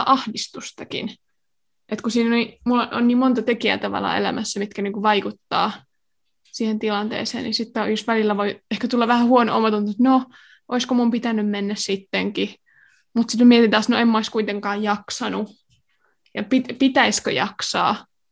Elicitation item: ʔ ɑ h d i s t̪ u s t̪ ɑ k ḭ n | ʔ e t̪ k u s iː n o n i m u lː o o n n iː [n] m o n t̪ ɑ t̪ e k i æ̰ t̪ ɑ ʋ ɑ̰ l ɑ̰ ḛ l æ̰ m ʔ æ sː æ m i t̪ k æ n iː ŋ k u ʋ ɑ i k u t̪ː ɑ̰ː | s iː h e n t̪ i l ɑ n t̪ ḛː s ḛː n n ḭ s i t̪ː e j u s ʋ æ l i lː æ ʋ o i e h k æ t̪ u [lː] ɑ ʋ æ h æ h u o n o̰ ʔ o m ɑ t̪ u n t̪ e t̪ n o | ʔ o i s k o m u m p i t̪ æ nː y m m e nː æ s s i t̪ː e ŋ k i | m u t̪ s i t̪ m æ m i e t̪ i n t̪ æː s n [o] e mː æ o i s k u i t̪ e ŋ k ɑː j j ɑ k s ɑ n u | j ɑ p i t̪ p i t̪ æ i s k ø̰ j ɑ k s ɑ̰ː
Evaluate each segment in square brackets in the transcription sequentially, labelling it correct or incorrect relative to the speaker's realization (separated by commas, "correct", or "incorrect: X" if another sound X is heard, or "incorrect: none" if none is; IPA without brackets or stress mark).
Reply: incorrect: m, correct, correct